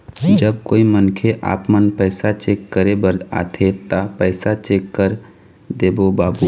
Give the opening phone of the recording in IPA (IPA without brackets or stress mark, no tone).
d͡ʒ